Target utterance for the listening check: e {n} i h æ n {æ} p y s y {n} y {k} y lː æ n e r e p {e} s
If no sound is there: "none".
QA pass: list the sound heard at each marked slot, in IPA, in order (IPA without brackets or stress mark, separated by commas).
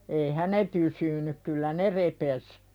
none, e, n, k, e